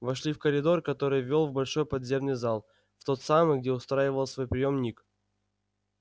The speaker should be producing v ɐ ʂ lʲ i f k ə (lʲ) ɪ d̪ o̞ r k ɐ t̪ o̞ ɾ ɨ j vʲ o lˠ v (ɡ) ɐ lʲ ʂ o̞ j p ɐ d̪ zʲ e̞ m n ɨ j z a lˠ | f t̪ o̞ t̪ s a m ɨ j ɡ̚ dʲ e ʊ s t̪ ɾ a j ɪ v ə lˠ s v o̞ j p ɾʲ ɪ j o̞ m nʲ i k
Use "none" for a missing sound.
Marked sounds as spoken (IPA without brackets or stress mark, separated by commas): ɾʲ, b